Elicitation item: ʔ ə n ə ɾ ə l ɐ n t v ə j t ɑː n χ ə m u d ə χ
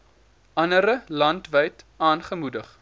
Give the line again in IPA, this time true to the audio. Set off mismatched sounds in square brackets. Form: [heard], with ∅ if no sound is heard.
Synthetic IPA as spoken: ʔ [ɐ] n ə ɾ ə l ɐ n t v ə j t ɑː n χ ə m u d ə χ